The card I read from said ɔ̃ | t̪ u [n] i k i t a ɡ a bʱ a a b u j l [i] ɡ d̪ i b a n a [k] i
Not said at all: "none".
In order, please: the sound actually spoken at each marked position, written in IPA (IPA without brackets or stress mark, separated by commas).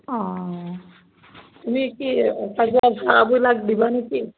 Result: m, a, k